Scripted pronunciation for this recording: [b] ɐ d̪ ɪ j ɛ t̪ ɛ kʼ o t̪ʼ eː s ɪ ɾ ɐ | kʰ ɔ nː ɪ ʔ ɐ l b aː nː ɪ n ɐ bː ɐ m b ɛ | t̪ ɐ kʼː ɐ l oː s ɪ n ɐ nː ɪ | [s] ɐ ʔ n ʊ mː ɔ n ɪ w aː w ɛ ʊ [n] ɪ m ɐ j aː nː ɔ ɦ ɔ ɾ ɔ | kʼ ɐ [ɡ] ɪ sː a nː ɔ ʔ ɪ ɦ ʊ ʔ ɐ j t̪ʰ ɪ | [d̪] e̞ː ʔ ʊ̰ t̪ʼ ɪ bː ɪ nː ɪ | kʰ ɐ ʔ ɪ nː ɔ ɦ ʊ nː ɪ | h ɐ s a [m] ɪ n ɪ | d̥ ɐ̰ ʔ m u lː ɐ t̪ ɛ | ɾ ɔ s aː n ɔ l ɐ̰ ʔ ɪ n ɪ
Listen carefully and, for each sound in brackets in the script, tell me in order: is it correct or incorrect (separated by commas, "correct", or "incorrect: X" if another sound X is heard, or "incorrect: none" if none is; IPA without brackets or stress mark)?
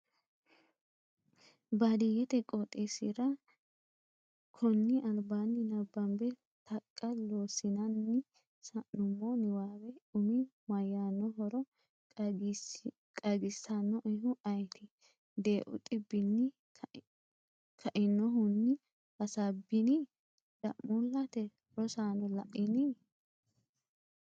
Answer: correct, correct, incorrect: m, correct, correct, incorrect: b